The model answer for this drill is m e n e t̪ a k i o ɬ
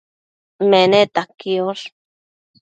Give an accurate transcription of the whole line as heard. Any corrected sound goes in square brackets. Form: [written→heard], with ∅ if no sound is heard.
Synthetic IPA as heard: m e n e t̪ a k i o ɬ